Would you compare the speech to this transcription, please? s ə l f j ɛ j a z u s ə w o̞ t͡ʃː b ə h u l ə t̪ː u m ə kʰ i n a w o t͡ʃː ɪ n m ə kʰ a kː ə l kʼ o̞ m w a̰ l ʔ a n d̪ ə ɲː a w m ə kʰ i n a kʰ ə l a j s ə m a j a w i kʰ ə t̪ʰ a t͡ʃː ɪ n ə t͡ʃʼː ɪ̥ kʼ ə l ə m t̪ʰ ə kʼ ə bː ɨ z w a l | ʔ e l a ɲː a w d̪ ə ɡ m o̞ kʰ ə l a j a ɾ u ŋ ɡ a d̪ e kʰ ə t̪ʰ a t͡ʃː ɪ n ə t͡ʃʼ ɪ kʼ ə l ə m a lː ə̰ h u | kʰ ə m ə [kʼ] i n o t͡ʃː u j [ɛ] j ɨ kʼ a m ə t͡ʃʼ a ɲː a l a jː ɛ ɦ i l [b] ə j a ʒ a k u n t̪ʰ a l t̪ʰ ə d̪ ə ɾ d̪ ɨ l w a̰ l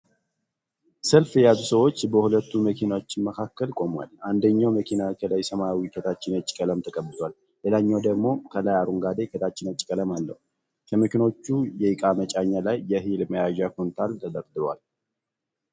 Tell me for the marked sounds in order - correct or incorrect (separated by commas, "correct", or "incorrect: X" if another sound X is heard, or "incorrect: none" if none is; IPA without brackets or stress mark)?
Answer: incorrect: k, correct, incorrect: m